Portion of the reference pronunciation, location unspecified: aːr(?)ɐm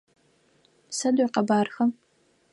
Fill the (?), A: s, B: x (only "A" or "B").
B